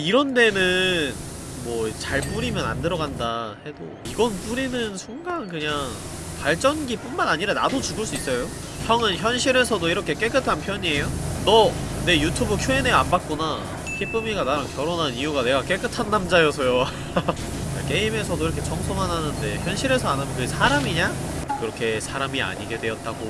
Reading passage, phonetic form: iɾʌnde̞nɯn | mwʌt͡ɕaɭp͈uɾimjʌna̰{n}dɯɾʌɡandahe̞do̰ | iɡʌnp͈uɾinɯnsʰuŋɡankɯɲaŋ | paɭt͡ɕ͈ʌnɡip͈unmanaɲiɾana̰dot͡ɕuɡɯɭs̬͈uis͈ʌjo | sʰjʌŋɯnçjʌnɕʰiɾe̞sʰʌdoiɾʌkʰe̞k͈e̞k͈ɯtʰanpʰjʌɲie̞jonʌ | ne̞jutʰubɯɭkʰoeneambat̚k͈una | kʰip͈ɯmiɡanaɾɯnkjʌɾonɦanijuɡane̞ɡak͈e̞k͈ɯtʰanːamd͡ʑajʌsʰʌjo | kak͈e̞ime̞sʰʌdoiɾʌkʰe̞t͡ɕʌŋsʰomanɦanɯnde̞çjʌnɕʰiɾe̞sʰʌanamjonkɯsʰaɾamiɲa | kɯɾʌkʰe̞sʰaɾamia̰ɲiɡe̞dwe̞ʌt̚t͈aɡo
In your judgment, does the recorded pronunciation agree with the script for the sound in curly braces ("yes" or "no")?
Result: yes